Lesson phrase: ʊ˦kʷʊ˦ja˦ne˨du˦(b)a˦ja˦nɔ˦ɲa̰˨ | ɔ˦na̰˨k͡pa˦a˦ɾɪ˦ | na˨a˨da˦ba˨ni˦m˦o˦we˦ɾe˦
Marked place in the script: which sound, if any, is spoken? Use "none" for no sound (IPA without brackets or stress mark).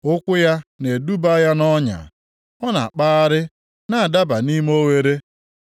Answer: b